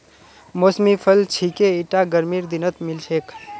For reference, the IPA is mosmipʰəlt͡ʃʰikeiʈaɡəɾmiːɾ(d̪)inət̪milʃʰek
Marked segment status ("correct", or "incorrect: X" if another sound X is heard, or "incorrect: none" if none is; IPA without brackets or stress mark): correct